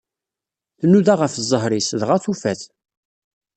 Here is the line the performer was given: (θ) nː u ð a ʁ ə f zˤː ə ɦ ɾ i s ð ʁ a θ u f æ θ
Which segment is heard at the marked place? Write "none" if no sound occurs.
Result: θ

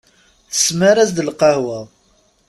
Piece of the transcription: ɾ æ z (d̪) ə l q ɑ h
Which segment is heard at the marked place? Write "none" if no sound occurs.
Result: d̪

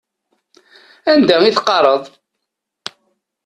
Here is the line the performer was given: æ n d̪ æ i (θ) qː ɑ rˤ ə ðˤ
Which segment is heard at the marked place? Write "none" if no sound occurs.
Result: θ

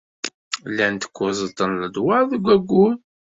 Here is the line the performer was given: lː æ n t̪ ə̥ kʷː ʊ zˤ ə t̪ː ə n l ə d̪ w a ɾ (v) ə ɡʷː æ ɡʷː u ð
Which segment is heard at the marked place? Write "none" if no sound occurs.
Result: ð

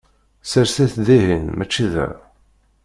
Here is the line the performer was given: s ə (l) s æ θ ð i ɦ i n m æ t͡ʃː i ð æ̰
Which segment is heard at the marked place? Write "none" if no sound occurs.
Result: ɾ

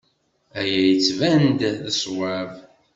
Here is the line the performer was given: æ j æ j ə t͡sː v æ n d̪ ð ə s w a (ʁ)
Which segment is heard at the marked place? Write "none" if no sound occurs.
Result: v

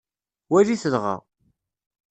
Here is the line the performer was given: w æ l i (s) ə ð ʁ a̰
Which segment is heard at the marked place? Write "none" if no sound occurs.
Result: θ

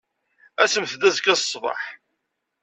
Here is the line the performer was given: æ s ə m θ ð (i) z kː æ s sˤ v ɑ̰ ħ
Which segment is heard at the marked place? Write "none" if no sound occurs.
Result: æ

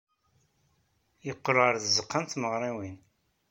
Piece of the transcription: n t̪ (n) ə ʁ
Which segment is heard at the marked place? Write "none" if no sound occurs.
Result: m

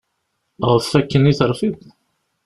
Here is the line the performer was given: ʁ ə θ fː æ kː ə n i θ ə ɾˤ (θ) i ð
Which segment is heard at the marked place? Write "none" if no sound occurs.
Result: f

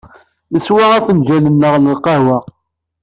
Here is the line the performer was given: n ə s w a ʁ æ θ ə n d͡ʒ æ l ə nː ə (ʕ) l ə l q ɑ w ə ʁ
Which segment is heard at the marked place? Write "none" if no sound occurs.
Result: ʁ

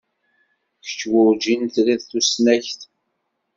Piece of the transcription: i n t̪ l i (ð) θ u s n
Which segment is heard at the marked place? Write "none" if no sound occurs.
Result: ð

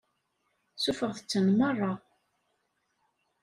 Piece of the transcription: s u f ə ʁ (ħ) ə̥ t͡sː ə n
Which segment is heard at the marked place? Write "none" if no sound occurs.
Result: θ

